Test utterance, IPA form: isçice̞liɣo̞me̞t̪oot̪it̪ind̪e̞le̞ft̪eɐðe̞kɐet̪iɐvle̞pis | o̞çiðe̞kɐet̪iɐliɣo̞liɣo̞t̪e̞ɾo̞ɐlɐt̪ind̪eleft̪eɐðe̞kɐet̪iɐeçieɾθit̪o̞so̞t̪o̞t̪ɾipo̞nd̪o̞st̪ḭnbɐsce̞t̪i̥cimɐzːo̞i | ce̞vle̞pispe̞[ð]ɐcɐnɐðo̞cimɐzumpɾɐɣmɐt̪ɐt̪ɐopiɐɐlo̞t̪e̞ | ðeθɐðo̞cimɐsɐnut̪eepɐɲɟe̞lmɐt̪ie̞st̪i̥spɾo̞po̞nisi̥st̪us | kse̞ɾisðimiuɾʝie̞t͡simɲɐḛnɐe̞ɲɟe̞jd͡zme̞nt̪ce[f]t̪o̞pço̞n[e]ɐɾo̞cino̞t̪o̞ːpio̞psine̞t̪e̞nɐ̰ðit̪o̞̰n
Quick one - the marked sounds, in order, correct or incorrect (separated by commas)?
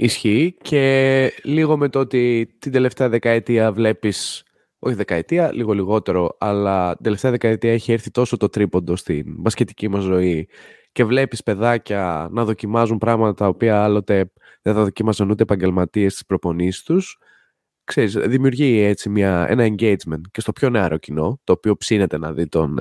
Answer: correct, incorrect, correct